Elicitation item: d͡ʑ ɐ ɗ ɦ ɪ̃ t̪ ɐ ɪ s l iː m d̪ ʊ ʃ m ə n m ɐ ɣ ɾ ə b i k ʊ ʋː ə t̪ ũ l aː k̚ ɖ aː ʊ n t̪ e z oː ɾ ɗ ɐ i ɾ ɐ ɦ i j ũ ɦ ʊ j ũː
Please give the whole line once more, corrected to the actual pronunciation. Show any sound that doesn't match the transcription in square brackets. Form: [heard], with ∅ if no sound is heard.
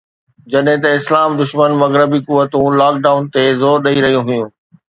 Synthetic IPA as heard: d͡ʑ ɐ ɗ ɦ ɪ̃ t̪ ɐ ɪ s l [aː] m d̪ ʊ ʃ m ə n m ɐ ɣ ɾ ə b i k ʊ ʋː ə t̪ ũ l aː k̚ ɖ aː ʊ n t̪ e z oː ɾ ɗ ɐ i ɾ ɐ ɦ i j ũ ɦ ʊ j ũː